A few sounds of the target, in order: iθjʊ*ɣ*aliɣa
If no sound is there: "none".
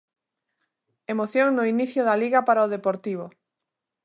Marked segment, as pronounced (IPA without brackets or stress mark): ð